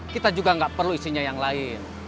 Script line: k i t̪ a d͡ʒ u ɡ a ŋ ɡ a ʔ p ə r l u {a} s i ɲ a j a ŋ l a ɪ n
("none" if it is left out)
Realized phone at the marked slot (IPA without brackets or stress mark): i